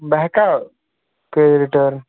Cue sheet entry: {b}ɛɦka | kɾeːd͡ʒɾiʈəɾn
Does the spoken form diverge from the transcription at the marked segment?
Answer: no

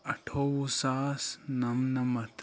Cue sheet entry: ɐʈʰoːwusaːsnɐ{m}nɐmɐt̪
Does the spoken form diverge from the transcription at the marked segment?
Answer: no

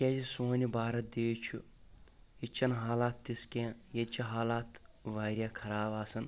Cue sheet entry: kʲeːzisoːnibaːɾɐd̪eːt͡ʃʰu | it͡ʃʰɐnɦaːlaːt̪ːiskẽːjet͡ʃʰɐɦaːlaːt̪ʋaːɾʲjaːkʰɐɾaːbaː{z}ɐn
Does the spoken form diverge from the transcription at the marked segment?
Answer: yes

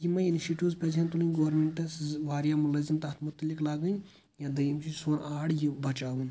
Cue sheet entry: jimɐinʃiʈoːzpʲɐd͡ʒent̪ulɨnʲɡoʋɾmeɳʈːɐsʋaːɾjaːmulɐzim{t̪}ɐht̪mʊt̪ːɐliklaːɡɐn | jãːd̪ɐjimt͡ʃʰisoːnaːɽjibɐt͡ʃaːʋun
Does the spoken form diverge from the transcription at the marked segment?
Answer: no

